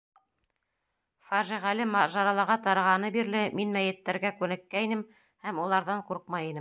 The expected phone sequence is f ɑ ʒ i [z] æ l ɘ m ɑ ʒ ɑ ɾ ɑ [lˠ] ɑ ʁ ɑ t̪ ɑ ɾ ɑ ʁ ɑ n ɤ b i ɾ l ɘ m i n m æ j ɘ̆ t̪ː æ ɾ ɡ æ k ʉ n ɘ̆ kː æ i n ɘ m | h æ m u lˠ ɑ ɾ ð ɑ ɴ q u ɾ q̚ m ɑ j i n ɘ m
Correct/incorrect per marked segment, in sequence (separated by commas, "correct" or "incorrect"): incorrect, correct